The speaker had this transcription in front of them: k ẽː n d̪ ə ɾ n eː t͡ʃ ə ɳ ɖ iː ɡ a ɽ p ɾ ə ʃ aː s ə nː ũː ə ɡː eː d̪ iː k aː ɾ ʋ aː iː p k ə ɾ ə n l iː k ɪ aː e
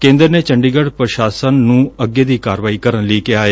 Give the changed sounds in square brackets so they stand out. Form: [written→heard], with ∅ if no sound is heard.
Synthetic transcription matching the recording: k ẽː n d̪ ə ɾ n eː t͡ʃ ə ɳ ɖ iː ɡ [a→ə] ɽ p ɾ ə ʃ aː s ə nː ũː ə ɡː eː d̪ iː k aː ɾ ʋ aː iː [p→∅] k ə ɾ ə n l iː k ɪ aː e